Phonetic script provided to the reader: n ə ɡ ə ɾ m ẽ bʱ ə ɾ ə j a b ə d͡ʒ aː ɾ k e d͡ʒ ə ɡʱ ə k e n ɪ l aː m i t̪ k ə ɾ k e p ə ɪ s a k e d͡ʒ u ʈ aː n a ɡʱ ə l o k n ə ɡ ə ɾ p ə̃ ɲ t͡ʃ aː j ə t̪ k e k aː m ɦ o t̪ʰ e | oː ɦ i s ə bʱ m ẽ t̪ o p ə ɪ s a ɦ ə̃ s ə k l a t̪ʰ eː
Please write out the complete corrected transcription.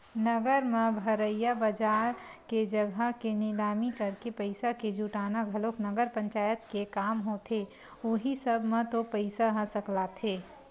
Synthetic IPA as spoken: n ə ɡ ə ɾ m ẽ bʱ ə ɾ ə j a b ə d͡ʒ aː ɾ k e d͡ʒ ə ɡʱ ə k e n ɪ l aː m i k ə ɾ k e p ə ɪ s a k e d͡ʒ u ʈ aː n a ɡʱ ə l o k n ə ɡ ə ɾ p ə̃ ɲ t͡ʃ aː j ə t̪ k e k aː m ɦ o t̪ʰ e | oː ɦ i s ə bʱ m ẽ t̪ o p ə ɪ s a ɦ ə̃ s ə k l a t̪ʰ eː

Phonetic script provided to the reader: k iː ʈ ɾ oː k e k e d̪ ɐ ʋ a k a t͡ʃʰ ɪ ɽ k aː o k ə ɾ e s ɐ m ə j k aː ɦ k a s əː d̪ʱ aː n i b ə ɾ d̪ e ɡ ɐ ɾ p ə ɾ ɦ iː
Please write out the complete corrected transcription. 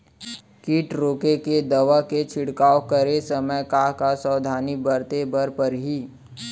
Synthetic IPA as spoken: k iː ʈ ɾ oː k e k e d̪ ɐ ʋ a k e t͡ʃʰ ɪ ɽ k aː o k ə ɾ e s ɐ m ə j k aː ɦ k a s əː d̪ʱ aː n i b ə ɾ t̪ e b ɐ ɾ p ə ɾ ɦ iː

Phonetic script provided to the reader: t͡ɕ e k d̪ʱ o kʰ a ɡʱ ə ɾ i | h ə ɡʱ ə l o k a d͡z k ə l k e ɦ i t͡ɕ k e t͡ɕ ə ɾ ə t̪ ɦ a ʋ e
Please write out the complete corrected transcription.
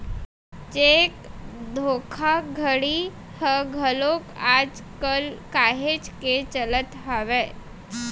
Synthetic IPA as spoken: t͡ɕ e k d̪ʱ o kʰ a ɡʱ ə ɽ i | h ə ɡʱ ə l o k a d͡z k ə l k a ɦ e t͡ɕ k e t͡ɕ ə l ə t̪ ɦ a ʋ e

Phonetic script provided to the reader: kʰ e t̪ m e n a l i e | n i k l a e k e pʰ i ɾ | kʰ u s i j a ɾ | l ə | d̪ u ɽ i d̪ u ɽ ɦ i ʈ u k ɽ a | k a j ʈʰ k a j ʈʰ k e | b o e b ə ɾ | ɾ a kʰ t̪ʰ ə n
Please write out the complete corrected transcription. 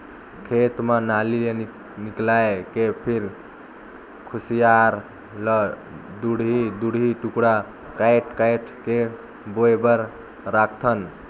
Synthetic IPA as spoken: kʰ e t̪ m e n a l i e | n i k l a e k e pʰ i ɾ | kʰ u s i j a ɾ | l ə | d̪ u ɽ i d̪ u ɽ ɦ i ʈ u k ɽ a | k a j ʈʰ k a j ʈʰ k e | b o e b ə ɾ | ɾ a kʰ t̪ʰ ə n

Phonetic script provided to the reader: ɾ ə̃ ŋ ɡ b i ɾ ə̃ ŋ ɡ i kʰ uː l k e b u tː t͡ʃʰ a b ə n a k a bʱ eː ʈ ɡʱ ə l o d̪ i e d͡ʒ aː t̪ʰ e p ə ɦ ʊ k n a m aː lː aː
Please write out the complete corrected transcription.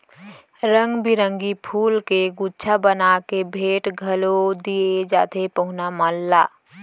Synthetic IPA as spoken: ɾ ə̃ ŋ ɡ b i ɾ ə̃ ŋ ɡ i pʰ uː l k e ɡ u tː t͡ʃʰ a b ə n a k e bʱ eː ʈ ɡʱ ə l o d̪ i e d͡ʒ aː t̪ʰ e p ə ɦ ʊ n a m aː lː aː

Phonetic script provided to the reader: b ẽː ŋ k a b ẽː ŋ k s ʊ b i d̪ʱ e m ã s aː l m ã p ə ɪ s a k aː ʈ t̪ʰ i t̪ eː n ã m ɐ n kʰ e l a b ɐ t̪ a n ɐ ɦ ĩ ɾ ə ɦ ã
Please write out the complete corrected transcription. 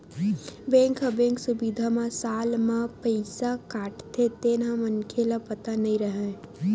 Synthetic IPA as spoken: b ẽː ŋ k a b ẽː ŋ k s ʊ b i d̪ʱ a m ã s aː l m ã p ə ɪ s a k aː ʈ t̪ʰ e t̪ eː n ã m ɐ n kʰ e l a p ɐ t̪ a n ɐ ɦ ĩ ɾ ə ɦ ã

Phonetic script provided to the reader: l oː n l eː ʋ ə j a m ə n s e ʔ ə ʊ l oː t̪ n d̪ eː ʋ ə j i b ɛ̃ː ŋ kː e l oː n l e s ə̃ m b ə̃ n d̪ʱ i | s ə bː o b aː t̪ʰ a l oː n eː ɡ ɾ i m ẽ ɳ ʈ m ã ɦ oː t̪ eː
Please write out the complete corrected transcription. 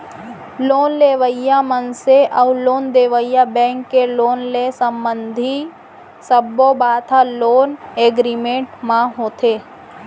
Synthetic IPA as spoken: l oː n l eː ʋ ə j a m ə n s e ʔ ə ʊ l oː n d̪ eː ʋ ə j a b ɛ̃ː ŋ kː e l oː n l e s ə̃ m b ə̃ n d̪ʱ i | s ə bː o b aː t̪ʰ a l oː n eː ɡ ɾ i m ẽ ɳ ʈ m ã ɦ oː t̪ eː

